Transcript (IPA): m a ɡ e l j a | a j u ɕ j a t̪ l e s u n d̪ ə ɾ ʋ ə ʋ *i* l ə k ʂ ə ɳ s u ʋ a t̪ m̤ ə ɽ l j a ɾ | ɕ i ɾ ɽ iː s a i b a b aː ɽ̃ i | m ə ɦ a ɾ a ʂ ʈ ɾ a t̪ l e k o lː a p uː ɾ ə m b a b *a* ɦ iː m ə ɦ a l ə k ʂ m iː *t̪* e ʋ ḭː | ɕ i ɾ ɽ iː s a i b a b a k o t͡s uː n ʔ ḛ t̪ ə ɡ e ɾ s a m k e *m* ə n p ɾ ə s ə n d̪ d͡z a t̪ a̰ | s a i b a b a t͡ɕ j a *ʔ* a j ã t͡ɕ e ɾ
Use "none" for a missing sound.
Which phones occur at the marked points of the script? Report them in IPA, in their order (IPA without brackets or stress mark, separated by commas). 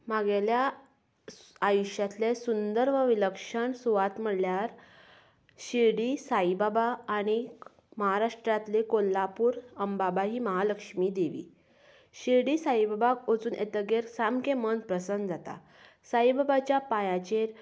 i, a, d̪, m, p